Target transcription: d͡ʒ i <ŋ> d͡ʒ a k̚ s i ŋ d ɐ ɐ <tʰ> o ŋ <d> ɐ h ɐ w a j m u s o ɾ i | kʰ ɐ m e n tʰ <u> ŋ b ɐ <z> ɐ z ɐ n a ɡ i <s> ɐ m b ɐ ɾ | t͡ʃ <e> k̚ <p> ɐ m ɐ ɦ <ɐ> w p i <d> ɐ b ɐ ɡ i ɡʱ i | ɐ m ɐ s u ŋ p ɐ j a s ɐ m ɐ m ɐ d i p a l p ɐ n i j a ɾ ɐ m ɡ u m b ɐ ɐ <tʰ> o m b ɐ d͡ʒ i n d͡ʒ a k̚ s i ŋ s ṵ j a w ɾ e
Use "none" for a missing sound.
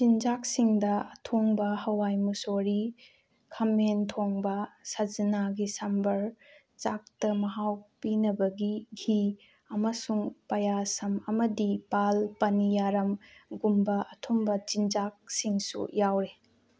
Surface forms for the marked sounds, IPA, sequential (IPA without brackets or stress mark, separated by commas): n, tʰ, b, o, s, s, a, t, a, n, tʰ